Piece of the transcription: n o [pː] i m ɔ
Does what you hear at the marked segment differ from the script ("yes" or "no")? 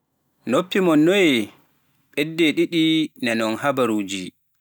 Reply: no